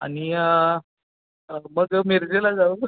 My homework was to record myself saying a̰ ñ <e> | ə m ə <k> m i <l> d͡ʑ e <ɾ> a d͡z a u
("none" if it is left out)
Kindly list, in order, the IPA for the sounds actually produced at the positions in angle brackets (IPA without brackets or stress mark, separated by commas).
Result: i, ɡ, ɾ, l